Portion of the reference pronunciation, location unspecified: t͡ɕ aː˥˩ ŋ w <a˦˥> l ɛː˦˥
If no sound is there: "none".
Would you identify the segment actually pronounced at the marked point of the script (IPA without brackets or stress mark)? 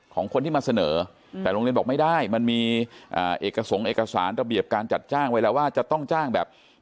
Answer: a˦˥